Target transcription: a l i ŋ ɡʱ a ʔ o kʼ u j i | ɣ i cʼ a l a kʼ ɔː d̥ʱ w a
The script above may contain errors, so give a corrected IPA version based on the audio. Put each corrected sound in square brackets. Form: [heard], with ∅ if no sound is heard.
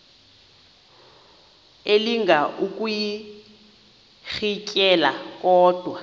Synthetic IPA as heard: [e] l i ŋ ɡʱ a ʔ [u] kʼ u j i | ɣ i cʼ [ɛ] l a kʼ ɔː d̥ʱ w a